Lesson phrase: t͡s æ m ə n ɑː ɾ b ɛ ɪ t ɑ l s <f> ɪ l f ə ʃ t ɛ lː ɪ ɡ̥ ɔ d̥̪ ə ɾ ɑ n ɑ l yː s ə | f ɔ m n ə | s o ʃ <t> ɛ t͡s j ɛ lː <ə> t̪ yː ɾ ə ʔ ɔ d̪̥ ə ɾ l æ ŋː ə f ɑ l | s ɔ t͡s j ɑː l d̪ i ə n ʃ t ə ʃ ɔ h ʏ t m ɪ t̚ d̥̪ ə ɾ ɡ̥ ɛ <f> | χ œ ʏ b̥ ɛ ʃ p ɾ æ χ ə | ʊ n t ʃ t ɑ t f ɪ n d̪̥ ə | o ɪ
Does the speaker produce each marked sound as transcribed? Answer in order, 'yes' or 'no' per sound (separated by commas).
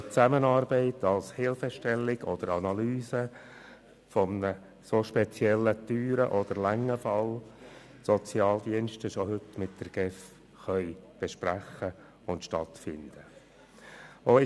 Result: no, no, yes, yes